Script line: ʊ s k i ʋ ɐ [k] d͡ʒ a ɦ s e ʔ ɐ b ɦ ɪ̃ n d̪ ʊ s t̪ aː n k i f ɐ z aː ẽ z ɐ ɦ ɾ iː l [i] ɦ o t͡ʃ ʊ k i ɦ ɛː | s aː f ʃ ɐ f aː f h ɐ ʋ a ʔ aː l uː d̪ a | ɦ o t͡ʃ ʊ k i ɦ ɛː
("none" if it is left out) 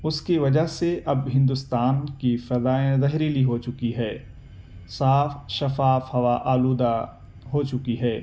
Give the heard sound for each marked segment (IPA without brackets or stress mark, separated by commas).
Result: none, i